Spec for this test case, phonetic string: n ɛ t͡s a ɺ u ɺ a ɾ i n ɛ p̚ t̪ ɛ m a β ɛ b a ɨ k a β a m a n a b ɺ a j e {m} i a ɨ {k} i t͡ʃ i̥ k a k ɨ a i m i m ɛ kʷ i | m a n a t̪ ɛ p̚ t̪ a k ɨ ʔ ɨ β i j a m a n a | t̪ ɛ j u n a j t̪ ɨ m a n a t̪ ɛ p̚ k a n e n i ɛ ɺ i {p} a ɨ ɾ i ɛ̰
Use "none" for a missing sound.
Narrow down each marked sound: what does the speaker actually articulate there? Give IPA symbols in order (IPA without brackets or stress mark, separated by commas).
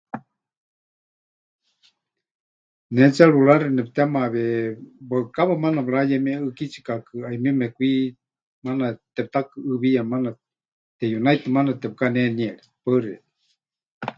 m, k, p